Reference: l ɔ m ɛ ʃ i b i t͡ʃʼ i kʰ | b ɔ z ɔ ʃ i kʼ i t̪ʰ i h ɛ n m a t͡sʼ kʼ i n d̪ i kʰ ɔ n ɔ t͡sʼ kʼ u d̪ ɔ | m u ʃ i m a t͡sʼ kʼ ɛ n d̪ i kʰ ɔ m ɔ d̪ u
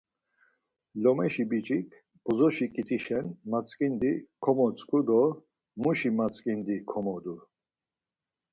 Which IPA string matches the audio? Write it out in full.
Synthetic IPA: l ɔ m ɛ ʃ i b i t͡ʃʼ i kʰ | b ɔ z ɔ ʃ i kʼ i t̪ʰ i ʃ ɛ n m a t͡sʼ kʼ i n d̪ i kʰ ɔ m ɔ t͡sʼ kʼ u d̪ ɔ | m u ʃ i m a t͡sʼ kʼ i n d̪ i kʰ ɔ m ɔ d̪ u